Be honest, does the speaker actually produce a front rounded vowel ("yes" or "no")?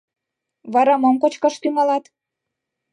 yes